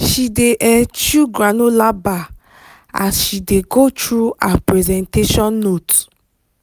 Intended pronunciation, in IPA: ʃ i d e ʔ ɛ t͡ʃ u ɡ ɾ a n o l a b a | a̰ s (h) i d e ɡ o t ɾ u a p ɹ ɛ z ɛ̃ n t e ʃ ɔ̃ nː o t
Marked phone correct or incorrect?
incorrect